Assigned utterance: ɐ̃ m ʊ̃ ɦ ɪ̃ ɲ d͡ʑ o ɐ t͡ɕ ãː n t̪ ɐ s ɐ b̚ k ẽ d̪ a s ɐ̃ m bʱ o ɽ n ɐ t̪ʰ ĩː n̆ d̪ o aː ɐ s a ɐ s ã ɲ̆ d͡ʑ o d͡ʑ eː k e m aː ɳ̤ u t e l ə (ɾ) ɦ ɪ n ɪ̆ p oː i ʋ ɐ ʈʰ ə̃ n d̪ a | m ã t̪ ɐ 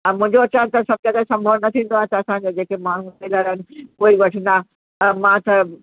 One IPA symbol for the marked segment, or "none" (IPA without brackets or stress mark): ɾ